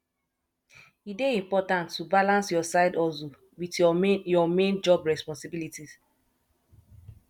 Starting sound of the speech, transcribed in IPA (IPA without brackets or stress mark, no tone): i